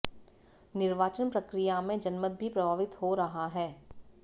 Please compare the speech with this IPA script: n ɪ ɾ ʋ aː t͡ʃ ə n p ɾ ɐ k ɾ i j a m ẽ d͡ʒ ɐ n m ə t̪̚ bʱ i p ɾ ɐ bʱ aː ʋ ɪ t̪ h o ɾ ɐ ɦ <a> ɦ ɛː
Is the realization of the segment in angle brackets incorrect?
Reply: no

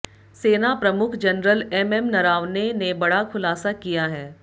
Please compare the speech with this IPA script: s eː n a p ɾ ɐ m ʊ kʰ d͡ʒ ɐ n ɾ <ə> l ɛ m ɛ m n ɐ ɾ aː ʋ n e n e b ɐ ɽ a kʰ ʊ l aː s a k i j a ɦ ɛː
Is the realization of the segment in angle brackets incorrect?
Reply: no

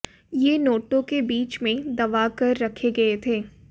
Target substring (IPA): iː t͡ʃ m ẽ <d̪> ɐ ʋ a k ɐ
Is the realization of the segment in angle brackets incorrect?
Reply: no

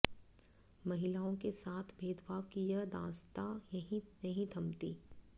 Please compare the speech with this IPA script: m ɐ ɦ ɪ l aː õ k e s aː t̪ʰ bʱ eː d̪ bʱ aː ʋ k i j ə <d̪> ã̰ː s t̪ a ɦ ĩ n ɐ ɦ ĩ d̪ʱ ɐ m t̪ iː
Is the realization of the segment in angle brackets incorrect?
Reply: no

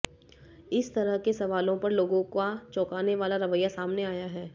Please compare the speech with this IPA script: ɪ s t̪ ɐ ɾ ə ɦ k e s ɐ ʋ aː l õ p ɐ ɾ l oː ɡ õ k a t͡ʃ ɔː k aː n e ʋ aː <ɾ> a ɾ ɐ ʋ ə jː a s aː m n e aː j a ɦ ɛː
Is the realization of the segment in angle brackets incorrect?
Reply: yes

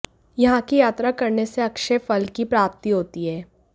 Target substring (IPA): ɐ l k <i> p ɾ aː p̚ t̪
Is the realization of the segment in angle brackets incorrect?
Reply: no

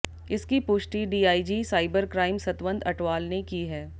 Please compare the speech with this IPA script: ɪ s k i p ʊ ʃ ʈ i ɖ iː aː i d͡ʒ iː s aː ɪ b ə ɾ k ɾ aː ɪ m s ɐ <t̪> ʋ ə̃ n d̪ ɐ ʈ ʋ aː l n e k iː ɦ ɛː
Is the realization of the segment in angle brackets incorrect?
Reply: no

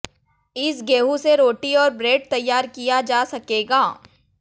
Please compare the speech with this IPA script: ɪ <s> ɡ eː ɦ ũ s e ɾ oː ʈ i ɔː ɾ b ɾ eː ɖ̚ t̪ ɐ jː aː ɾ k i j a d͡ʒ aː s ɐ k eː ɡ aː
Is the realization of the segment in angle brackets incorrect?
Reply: no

